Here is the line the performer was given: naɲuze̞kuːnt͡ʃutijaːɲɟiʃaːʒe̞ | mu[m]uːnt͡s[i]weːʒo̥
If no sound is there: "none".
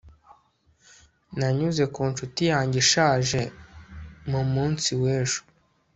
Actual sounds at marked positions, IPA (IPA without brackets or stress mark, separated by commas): m, i